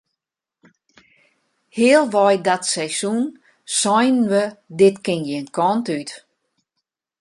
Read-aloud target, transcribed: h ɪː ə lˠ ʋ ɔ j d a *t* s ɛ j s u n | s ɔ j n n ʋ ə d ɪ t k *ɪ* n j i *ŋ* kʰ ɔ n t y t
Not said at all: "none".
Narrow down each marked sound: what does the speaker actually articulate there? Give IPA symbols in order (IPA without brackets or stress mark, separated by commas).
t, ɪ, n